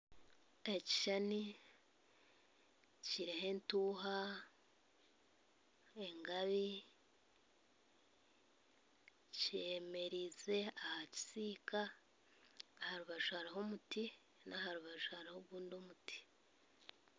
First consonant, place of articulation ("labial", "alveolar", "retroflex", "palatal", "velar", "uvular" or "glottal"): palatal